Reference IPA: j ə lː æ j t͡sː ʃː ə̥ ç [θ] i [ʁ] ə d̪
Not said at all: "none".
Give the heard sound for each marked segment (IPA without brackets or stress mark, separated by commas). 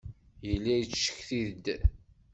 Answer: θ, ð